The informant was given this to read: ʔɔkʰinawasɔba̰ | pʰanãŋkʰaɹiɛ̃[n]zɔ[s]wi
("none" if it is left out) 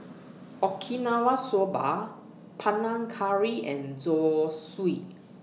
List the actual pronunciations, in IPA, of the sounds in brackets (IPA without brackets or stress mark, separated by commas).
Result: n, s